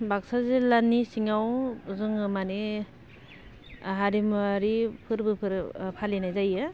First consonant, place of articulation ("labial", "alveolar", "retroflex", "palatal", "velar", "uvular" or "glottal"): labial